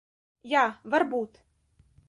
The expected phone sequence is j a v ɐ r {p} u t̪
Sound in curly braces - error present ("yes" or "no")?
yes